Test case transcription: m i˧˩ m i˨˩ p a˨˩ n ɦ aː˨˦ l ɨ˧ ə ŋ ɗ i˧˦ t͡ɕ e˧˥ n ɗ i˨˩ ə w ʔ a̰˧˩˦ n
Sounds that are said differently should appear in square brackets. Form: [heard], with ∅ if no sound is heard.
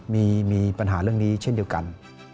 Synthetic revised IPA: m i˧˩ m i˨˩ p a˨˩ n ɦ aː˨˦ l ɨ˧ ə ŋ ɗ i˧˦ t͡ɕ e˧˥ n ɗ i˨˩ ə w [k] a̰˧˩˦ n

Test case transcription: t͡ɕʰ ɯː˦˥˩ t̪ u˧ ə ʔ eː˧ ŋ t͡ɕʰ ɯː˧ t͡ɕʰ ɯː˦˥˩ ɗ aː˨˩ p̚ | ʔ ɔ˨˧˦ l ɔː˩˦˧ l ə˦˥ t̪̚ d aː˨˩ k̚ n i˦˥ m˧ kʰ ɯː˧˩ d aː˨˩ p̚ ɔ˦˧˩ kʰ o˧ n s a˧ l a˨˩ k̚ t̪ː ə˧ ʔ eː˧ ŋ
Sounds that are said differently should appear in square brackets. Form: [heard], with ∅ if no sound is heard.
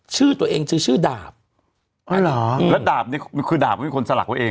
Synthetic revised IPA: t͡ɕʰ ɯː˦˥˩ t̪ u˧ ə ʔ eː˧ ŋ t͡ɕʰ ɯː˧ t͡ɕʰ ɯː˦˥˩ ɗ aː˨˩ p̚ | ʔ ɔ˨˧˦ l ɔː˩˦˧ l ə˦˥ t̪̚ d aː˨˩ [p̚] n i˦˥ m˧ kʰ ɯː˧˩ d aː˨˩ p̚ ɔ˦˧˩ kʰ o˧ n s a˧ l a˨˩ k̚ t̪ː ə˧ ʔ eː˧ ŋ

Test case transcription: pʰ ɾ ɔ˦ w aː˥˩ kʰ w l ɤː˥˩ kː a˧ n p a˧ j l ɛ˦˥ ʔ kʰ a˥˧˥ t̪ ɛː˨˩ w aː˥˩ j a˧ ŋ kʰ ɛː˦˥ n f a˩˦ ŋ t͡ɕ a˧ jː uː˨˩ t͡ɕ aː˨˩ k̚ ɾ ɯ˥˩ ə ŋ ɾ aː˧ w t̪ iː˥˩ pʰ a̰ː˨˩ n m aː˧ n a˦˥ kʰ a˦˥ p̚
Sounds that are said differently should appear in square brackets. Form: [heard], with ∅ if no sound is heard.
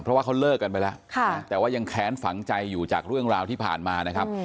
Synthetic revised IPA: pʰ ɾ ɔ˦ w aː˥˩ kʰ w l ɤː˥˩ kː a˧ n p a˧ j l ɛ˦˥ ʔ kʰ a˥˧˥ t̪ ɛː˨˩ w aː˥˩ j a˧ ŋ kʰ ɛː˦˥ n f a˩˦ ŋ t͡ɕ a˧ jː uː˨˩ t͡ɕ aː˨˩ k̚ ɾ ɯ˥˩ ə ŋ ɾ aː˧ w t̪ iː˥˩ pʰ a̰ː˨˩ n m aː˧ n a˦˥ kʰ a˦˥ p̚

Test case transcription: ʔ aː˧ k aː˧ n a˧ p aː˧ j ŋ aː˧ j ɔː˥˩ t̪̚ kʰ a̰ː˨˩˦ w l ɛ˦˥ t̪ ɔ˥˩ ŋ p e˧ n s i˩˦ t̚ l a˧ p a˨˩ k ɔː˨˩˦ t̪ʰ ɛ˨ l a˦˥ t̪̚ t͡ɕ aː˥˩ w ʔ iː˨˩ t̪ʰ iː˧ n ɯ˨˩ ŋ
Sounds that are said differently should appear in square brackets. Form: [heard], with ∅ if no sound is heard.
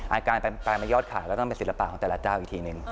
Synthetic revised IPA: ʔ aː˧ k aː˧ n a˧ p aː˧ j [m] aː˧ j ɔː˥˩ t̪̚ kʰ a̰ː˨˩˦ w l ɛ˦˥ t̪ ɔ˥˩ ŋ p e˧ n s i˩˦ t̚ l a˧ p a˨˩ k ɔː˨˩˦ [t̪] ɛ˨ l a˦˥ [∅] t͡ɕ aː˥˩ w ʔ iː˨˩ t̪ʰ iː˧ n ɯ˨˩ ŋ

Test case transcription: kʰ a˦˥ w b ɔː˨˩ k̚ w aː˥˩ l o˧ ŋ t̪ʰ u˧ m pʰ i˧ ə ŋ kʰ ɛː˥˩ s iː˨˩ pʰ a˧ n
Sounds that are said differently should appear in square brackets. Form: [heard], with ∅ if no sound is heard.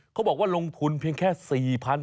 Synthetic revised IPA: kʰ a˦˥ w b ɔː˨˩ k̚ w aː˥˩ l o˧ ŋ t̪ʰ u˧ [n] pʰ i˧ ə ŋ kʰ ɛː˥˩ s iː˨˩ pʰ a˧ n

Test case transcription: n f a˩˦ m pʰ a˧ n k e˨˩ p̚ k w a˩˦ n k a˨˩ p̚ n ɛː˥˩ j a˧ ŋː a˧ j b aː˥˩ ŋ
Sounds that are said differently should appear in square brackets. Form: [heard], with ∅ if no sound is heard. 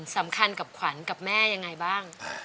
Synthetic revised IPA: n [s] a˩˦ m [kʰ] a˧ n k [a˨˩] p̚ [kʰ] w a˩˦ n k a˨˩ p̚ [m] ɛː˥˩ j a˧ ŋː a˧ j b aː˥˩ ŋ

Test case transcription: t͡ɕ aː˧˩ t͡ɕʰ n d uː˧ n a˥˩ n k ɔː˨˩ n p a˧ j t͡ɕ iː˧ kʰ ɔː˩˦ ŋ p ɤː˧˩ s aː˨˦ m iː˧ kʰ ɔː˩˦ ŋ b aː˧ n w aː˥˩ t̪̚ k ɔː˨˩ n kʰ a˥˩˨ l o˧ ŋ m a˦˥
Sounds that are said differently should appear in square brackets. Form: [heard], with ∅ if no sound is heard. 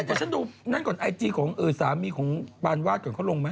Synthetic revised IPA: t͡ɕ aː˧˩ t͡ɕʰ n d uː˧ n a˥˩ n k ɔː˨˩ n [ʔ] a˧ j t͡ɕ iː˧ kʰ ɔː˩˦ ŋ [ʔ] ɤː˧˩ s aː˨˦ m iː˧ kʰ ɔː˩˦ ŋ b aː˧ n w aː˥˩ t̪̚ k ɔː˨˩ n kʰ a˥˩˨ l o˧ ŋ m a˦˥

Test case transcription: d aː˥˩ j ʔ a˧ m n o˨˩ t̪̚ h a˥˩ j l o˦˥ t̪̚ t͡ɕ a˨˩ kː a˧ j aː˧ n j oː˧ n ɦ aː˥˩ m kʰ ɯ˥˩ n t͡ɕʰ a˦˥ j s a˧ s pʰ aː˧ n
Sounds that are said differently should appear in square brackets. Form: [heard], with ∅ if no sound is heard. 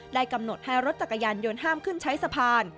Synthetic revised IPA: d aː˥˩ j [k] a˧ m n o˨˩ t̪̚ h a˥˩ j [ɾ] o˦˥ t̪̚ t͡ɕ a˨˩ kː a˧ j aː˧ n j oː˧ n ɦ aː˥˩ m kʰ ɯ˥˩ n t͡ɕʰ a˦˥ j s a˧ [∅] pʰ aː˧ n

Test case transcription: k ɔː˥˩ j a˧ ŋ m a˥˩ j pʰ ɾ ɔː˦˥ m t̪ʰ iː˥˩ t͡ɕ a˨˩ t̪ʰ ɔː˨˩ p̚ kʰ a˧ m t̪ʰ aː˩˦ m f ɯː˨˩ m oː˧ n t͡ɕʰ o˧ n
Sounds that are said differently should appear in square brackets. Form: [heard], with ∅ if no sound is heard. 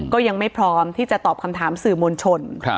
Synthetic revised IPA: k ɔː˥˩ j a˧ ŋ m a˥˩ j pʰ ɾ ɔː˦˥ m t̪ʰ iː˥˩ t͡ɕ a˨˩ [t̪] ɔː˨˩ p̚ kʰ a˧ m t̪ʰ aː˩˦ m [s] ɯː˨˩ m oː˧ n t͡ɕʰ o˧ n

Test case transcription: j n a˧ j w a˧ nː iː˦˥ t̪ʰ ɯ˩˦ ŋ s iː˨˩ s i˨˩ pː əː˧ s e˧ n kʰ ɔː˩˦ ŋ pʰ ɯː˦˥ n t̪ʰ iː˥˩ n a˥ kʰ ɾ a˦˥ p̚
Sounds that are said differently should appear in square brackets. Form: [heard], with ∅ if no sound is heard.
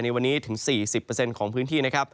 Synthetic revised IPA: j n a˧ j w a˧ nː iː˦˥ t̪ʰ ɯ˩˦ ŋ s iː˨˩ s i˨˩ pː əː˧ s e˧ n kʰ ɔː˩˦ ŋ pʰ ɯː˦˥ n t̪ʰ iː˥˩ n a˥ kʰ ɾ a˦˥ p̚

